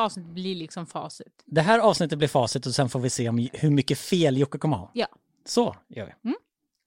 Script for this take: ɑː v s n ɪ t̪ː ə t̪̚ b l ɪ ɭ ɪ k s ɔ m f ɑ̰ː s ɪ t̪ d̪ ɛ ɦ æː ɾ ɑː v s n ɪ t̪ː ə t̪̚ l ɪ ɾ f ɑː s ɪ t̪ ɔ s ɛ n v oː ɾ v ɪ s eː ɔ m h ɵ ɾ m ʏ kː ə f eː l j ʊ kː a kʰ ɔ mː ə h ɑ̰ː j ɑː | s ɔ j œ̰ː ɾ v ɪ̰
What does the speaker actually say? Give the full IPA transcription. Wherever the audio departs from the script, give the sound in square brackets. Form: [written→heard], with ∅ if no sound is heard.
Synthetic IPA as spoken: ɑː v s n ɪ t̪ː ə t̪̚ b l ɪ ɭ ɪ k s ɔ m f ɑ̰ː s ɪ t̪ d̪ ɛ ɦ æː ɾ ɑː v s n ɪ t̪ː ə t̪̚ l ɪ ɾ f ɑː s ɪ t̪ ɔ s ɛ n [v→f] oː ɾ v ɪ s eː ɔ m h ɵ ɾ m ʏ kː ə f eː l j ʊ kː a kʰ ɔ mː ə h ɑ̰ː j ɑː | s ɔ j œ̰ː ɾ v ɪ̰